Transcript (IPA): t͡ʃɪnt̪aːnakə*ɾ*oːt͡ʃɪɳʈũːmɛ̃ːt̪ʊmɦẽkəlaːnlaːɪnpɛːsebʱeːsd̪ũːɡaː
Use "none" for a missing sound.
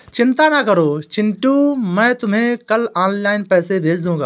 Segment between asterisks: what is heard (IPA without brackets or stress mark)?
ɾ